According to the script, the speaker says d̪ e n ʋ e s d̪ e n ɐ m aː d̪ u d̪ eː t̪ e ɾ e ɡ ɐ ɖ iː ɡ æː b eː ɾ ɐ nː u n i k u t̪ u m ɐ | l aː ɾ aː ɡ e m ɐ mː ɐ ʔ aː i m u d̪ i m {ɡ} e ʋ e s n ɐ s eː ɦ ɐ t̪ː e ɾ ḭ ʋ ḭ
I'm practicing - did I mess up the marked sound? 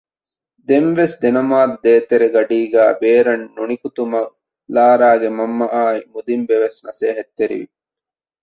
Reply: yes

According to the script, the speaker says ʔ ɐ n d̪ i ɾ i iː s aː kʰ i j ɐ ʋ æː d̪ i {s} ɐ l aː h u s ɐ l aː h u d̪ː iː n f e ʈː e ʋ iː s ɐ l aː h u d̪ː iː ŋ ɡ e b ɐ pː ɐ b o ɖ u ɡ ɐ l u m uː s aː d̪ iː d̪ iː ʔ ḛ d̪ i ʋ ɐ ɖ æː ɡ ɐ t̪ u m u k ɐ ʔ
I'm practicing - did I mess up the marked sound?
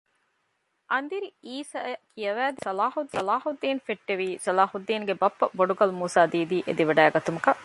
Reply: no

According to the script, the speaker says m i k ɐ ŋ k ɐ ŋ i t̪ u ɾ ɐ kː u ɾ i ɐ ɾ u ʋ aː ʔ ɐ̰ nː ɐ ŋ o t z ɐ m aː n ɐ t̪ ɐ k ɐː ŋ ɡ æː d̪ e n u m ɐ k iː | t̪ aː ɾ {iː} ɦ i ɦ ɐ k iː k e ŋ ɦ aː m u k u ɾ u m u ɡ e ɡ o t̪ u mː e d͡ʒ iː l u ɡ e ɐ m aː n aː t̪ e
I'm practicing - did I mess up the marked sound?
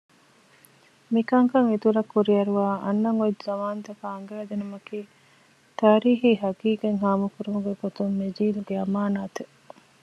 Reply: no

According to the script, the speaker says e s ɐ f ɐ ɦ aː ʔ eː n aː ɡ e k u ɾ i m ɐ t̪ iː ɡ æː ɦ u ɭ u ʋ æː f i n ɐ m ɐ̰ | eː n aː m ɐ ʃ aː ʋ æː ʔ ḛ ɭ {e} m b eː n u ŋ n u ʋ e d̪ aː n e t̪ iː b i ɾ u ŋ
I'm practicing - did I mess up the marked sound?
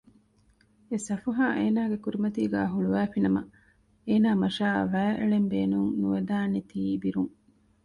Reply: no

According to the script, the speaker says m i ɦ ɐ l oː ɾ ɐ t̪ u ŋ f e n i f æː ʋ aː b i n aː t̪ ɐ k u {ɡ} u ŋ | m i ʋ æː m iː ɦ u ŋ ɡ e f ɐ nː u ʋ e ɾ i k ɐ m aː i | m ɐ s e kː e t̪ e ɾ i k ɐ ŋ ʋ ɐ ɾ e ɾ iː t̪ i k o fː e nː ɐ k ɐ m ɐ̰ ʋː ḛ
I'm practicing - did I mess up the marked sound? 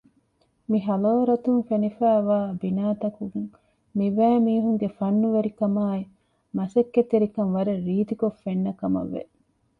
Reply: no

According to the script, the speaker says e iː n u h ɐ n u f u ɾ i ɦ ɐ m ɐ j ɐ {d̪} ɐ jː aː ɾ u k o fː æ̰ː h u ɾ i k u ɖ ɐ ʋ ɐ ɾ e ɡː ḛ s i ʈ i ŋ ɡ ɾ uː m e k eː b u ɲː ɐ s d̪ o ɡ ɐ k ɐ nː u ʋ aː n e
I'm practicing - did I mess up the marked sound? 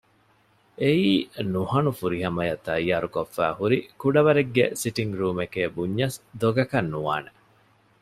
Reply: yes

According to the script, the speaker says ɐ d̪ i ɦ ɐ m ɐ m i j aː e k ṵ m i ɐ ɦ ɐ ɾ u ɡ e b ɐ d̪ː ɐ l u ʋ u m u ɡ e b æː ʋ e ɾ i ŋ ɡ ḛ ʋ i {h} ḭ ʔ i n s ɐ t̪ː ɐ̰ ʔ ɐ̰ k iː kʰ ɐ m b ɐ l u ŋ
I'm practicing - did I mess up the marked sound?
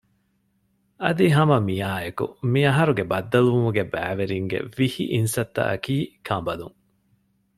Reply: no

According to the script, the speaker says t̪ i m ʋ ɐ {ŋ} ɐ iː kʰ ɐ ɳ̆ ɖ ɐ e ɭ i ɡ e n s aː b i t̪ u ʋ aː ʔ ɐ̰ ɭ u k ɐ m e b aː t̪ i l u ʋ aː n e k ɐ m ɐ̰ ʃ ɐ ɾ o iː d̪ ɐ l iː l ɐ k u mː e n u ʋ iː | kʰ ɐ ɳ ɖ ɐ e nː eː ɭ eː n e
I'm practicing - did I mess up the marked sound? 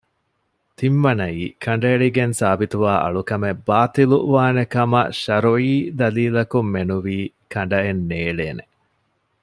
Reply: yes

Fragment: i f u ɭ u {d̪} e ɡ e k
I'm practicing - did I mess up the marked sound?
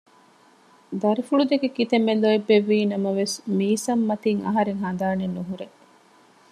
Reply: no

